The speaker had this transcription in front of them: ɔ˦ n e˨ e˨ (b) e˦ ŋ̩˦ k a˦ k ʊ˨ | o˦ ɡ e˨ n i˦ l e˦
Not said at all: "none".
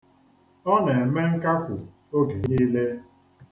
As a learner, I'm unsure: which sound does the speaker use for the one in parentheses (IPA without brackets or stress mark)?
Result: m